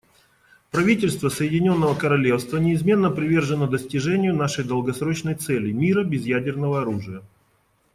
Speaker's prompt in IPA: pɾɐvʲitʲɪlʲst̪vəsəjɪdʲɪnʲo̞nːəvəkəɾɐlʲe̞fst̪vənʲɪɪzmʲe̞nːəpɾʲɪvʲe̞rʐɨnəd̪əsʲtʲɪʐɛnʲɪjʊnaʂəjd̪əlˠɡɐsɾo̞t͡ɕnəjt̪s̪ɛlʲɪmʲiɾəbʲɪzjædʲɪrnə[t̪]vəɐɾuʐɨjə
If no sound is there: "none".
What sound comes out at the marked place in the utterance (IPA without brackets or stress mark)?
none